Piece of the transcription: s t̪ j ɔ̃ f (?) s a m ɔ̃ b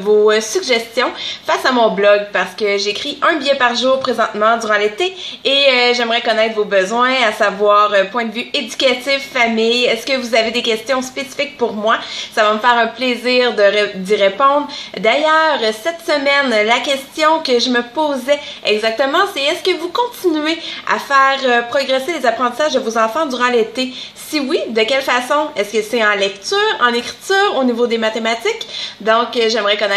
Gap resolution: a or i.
a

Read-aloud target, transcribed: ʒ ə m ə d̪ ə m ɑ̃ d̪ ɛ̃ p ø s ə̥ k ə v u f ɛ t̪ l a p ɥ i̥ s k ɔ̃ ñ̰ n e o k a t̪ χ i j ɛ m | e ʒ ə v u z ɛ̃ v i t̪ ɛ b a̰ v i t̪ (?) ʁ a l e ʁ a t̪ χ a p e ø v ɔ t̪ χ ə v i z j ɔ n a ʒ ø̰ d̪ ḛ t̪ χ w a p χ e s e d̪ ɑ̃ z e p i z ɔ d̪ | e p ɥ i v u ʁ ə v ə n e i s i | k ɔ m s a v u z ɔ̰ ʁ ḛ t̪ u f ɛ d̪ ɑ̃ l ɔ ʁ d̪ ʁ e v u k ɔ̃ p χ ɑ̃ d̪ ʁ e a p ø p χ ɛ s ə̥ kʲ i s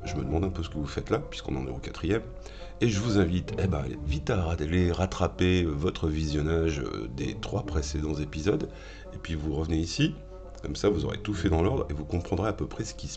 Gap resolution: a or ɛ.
a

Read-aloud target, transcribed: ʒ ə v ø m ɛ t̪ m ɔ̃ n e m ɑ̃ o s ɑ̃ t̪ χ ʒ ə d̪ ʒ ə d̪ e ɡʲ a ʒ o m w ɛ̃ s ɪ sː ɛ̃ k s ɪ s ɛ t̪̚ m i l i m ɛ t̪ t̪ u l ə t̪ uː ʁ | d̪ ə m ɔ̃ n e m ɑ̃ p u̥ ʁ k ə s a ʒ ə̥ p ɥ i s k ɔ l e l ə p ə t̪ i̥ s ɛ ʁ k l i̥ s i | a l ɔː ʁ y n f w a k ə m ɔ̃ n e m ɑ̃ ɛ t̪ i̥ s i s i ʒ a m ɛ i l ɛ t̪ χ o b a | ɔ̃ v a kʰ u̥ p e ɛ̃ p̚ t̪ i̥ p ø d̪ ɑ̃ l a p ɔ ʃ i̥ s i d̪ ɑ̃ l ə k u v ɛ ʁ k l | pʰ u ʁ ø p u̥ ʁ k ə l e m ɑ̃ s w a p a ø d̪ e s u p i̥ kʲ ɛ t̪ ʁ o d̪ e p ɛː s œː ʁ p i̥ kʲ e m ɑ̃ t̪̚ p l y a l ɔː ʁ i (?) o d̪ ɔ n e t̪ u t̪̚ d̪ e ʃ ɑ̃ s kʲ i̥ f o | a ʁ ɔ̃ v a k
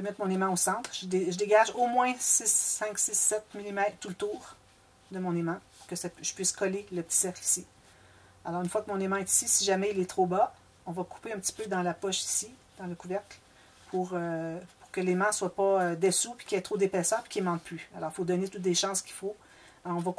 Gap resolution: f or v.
f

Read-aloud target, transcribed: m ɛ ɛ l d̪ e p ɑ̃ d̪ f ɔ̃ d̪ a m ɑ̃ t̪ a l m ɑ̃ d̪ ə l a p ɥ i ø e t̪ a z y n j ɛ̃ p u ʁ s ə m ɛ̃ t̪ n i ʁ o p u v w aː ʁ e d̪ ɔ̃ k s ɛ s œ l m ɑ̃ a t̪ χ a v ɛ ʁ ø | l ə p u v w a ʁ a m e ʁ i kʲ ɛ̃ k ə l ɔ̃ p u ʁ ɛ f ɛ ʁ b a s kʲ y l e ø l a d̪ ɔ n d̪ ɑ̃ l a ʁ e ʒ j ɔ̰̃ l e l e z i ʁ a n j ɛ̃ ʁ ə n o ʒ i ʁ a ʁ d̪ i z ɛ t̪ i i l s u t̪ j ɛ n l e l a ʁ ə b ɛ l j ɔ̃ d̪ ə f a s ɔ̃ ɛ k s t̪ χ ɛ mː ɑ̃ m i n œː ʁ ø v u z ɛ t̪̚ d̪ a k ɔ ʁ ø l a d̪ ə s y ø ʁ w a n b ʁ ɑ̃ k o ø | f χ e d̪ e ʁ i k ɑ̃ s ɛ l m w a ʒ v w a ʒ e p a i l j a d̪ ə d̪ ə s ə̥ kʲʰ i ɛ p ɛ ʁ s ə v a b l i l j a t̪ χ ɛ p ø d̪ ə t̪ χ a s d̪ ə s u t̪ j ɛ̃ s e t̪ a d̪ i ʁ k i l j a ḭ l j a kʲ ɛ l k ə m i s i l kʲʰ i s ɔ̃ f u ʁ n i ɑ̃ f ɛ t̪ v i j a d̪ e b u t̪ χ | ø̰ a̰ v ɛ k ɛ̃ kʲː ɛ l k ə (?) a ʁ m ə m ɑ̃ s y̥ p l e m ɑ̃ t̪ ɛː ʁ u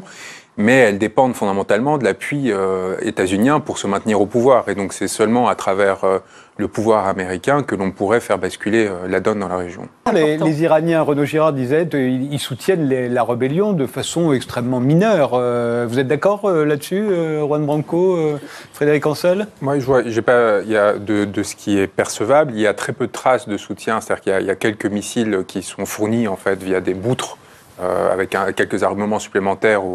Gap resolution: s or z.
z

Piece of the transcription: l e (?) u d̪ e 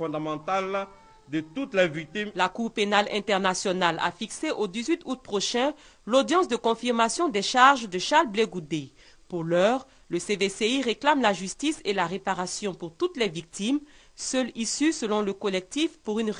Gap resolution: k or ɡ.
ɡ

